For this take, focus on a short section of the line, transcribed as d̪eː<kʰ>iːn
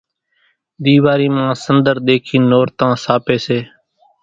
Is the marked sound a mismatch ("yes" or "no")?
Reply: no